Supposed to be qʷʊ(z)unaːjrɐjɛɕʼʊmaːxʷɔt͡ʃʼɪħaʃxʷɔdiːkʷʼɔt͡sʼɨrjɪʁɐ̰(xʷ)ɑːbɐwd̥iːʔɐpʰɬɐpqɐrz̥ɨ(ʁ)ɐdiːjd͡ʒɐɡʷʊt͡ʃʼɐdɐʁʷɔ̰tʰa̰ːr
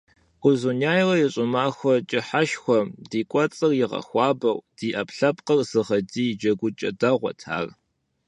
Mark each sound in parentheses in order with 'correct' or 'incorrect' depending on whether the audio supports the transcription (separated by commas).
correct, correct, correct